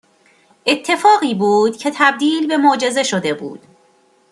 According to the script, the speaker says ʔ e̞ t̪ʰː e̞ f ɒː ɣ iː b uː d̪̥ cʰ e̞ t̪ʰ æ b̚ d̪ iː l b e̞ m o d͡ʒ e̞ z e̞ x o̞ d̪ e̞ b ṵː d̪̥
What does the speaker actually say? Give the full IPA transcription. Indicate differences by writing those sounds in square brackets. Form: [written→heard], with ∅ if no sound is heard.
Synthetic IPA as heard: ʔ e̞ t̪ʰː e̞ f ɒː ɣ iː b uː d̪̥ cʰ e̞ t̪ʰ æ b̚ d̪ iː l b e̞ m o d͡ʒ e̞ z e̞ [x→ʃ] o̞ d̪ e̞ b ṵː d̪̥